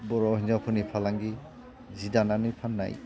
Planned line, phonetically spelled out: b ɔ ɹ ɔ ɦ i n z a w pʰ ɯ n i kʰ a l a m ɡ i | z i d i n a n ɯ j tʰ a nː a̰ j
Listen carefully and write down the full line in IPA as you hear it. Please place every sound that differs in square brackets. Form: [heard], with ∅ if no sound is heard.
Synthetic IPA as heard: b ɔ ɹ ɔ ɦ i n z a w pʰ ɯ n i [pʰ] a l a [ŋ] ɡ i | z i d [a] n a n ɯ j [pʰ] a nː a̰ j